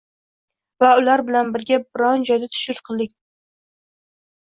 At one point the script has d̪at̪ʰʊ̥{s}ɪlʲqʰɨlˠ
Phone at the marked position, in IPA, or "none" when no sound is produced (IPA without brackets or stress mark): ʃ